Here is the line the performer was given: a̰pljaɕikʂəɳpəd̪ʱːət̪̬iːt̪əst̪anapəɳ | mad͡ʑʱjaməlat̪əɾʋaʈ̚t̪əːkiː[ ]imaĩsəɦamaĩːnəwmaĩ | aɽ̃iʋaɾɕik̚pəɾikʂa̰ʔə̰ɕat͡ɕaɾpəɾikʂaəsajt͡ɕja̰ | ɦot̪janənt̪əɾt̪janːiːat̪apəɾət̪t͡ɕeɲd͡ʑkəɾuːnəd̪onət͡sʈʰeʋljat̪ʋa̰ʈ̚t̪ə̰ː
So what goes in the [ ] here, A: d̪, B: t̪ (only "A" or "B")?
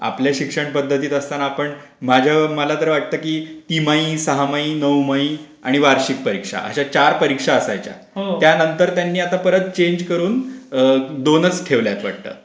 B